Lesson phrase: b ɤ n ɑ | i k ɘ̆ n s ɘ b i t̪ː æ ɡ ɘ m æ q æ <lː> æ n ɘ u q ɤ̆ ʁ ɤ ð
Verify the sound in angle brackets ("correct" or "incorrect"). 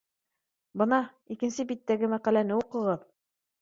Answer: incorrect